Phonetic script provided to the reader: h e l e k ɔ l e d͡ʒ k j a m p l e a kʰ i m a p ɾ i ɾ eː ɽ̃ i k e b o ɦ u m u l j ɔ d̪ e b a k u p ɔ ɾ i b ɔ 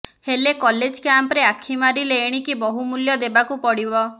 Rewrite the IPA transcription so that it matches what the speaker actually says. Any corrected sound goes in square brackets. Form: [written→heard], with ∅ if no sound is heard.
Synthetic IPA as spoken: h e l e k ɔ l e d͡ʒ k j a m p [l→ɾ] e a kʰ i m a [p→∅] ɾ i [ɾ→l] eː ɽ̃ i k [e→i] b [o→ɔ] ɦ u m u l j ɔ d̪ e b a k u p ɔ [ɾ→ɽ] i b ɔ